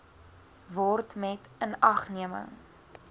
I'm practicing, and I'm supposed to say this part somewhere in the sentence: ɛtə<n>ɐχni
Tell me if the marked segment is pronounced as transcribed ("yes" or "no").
yes